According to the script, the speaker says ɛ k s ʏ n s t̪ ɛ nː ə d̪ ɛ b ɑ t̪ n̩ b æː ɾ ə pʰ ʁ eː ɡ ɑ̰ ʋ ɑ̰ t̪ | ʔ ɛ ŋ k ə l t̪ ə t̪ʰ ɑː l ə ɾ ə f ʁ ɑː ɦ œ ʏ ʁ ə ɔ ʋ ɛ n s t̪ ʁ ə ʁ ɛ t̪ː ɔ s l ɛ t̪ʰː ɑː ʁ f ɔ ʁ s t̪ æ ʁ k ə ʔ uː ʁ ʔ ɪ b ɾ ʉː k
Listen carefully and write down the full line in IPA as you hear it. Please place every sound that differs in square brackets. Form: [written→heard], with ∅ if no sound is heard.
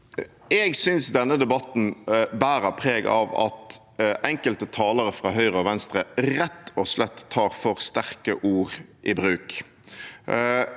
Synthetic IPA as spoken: ɛ [k→ɡ] s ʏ n s [t̪→d̪] ɛ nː ə d̪ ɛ b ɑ t̪ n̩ b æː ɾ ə pʰ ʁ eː ɡ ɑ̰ ʋ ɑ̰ t̪ | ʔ ɛ ŋ k ə l t̪ ə t̪ʰ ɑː l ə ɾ ə f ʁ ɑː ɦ œ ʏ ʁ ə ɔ ʋ ɛ n s t̪ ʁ ə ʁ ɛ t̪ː ɔ s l ɛ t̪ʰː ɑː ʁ f ɔ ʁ s t̪ æ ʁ k ə ʔ uː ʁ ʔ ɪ b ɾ ʉː k